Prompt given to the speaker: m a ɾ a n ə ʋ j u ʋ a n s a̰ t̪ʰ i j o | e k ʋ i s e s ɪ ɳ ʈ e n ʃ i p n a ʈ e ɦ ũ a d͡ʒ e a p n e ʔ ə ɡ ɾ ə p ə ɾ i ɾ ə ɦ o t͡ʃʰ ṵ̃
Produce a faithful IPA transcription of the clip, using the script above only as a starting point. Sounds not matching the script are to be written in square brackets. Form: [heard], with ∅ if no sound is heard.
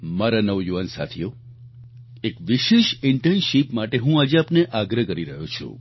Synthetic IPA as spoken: m a ɾ a n ə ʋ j u ʋ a n s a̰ t̪ʰ i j o | e k ʋ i [ʃ] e [ʃ] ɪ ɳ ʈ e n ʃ i p [m] a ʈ e ɦ ũ a d͡ʒ e a p n e ʔ [a] ɡ ɾ ə [k] ə ɾ i ɾ ə ɦ o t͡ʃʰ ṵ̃